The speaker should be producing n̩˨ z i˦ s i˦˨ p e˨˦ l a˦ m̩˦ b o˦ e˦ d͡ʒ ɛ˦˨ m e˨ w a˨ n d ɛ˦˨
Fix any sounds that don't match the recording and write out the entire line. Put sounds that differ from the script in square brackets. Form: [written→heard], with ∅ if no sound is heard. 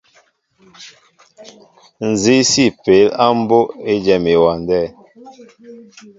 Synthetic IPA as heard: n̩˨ z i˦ s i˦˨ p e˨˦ l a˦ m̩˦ b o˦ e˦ d͡ʒ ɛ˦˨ m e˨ w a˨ n d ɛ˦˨